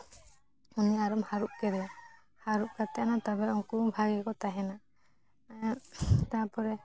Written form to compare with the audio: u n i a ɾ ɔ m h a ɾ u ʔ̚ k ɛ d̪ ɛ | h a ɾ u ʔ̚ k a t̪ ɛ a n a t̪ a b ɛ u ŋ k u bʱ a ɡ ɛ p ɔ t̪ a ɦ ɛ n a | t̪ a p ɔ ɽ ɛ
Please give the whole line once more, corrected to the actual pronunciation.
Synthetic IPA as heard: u n i a ɾ ɔ m h a ɾ u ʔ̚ k ɛ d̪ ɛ | h a ɾ u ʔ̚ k a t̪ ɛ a n a t̪ a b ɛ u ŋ k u bʱ a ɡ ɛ k ɔ t̪ a ɦ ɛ n a | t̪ a p ɔ ɾ ɛ